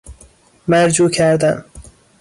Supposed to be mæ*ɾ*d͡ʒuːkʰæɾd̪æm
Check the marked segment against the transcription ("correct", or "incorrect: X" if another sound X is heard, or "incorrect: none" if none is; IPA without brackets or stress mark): correct